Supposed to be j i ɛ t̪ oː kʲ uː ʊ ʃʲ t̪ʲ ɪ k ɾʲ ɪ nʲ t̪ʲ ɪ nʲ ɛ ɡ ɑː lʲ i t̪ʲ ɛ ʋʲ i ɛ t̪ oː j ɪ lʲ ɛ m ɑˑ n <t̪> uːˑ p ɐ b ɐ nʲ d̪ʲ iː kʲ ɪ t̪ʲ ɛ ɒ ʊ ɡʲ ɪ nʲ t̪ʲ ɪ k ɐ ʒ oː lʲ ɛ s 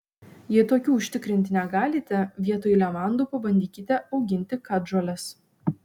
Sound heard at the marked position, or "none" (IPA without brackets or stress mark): d̪